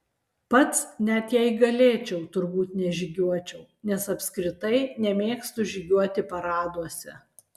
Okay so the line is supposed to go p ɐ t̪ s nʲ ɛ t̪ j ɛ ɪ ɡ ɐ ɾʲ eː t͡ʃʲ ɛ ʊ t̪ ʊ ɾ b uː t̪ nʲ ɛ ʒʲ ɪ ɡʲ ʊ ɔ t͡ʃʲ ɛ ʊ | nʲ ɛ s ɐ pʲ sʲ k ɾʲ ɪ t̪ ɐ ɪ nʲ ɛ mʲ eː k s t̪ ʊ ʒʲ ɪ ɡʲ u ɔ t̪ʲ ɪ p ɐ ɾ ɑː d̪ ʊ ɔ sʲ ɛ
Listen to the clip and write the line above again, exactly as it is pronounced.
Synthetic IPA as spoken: p ɐ t̪ s nʲ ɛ t̪ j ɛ ɪ ɡ ɐ lʲ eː t͡ʃʲ ɛ ʊ t̪ ʊ ɾ b uː t̪ nʲ ɛ ʒʲ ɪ ɡʲ u ɔ t͡ʃʲ ɛ ʊ | nʲ ɛ s ɐ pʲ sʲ k ɾʲ ɪ t̪ ɐ ɪ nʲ ɛ mʲ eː k s t̪ ʊ ʒʲ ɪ ɡʲ u ɔ t̪ʲ ɪ p ɐ ɾ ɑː d̪ u ɔ sʲ ɛ